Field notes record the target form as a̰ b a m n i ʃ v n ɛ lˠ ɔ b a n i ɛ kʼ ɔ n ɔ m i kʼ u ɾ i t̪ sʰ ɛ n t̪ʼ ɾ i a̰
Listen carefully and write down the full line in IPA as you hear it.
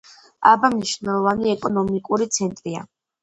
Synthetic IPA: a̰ b a m n i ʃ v n ɛ lˠ ɔ v a n i ɛ kʼ ɔ n ɔ m i kʼ u ɾ i t̪ sʰ ɛ n t̪ʼ ɾ i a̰